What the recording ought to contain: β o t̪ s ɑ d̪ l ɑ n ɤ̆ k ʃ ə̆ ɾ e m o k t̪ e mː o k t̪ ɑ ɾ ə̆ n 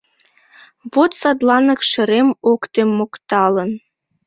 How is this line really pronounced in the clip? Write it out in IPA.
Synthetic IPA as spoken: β o t̪ s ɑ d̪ l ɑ n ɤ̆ k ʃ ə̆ ɾ e m o k t̪ e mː o k t̪ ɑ l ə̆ n